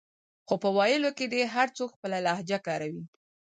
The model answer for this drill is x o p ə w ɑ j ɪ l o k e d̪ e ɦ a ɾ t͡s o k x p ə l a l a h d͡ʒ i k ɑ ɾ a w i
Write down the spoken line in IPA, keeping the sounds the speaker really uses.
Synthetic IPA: x o p ə w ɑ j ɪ l o k e d̪ e ɦ a ɾ t͡s o k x p ə l a l a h d͡ʒ a k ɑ ɾ a w i